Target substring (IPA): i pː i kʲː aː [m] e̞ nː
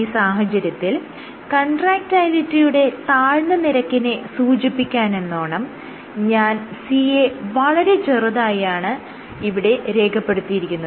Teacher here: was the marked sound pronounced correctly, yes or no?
no